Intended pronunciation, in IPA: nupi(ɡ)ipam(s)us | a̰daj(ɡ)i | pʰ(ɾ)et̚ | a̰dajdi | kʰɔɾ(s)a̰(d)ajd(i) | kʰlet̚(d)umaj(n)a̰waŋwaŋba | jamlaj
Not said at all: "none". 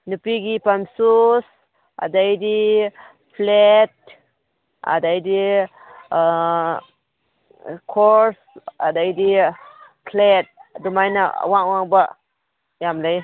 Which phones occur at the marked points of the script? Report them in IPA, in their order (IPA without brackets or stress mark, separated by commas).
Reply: ɡ, s, d, l, s, d, i, d, n